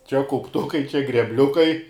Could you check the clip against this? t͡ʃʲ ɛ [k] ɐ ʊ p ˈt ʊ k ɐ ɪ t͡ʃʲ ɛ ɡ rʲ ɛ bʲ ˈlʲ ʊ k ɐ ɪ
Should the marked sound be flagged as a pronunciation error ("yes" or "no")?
no